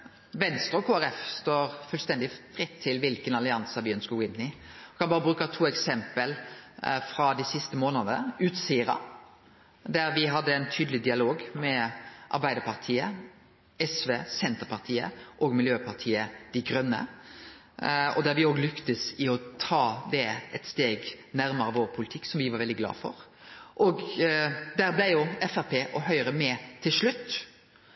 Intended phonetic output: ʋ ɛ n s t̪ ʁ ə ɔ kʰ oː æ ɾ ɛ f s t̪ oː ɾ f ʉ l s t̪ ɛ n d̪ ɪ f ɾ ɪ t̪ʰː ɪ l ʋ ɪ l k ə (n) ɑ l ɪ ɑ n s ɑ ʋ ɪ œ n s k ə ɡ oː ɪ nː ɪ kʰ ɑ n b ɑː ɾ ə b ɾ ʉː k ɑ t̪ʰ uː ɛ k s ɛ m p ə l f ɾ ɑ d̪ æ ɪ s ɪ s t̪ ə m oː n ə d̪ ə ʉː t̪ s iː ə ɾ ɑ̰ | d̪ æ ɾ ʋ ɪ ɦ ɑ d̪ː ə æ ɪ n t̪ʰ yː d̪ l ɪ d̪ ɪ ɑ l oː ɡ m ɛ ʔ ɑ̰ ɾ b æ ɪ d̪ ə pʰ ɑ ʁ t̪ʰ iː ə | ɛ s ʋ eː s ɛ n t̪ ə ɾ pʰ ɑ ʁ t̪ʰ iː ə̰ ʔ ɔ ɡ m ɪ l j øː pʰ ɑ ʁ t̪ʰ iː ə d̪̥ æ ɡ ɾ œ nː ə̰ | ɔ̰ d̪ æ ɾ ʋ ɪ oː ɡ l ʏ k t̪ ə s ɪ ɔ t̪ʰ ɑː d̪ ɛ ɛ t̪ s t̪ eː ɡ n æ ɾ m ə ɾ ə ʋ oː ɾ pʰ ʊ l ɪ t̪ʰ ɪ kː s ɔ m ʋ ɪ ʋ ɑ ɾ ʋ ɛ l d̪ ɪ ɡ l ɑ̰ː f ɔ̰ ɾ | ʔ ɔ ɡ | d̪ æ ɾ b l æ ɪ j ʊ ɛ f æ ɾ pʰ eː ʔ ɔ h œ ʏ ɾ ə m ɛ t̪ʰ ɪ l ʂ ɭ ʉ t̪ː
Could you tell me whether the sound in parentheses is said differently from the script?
no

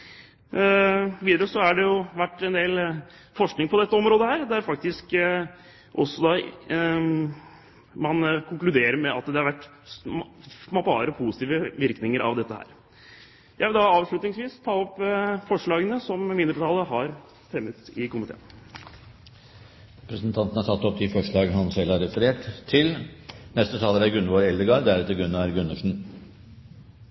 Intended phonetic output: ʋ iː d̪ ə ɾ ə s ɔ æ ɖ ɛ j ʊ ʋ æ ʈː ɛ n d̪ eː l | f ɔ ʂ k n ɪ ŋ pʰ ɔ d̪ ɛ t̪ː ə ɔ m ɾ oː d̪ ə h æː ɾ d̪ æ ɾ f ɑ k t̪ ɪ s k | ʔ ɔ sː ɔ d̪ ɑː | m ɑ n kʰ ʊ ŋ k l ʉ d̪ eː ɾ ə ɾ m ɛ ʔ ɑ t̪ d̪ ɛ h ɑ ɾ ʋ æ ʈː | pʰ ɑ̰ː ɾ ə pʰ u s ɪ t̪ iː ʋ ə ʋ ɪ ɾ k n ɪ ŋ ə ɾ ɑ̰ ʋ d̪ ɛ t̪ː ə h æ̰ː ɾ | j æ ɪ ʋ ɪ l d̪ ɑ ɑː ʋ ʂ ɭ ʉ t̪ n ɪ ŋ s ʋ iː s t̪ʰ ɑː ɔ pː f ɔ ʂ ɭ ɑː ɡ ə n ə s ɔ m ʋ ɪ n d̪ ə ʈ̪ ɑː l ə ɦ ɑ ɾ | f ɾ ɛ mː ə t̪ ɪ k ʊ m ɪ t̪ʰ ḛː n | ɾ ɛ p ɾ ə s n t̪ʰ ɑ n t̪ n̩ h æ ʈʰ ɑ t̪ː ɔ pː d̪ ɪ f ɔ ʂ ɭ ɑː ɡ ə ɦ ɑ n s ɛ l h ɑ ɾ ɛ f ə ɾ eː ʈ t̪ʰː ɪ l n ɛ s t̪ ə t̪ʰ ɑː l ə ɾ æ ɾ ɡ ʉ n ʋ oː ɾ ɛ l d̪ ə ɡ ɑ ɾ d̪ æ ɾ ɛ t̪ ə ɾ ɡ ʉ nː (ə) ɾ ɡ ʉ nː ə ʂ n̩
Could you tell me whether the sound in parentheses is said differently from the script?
yes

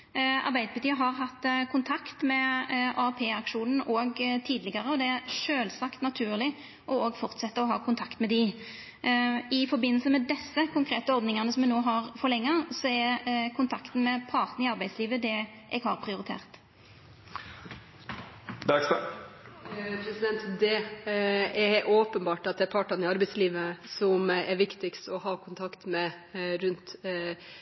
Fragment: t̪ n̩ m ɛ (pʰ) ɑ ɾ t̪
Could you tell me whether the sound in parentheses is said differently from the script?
no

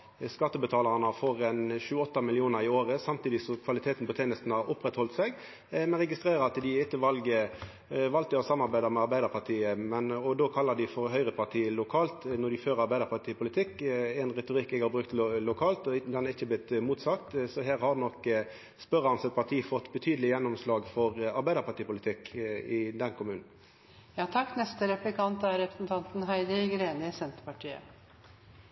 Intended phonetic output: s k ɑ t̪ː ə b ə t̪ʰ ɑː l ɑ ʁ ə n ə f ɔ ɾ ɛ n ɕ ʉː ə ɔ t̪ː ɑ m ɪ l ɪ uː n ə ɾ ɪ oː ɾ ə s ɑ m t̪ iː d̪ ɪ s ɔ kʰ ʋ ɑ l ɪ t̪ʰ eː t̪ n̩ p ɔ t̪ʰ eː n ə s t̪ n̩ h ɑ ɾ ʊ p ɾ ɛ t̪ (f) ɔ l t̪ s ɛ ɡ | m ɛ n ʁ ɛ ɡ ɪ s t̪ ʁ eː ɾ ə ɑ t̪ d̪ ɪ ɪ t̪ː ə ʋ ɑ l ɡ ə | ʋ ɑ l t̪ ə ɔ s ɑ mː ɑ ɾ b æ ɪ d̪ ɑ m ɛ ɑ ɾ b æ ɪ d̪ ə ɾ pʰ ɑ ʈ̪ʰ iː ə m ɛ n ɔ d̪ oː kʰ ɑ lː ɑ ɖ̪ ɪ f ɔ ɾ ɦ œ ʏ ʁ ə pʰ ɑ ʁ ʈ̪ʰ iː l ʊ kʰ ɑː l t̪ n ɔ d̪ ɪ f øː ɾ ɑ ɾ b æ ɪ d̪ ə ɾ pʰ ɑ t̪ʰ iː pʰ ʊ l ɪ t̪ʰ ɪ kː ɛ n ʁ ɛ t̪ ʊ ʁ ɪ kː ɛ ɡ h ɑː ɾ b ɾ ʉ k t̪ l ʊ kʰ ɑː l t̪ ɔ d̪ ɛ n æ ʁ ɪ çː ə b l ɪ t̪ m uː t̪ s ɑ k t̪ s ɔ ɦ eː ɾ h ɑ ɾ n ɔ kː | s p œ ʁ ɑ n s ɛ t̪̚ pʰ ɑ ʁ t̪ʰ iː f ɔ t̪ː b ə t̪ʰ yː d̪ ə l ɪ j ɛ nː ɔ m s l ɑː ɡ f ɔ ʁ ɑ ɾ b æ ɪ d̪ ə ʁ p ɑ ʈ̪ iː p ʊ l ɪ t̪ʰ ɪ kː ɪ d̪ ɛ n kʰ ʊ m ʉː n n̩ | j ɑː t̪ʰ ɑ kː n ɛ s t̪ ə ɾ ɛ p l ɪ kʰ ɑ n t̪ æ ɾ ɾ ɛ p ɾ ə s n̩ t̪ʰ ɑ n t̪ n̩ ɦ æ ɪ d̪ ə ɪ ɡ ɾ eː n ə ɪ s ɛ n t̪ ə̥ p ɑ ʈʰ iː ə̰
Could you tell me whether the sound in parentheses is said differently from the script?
yes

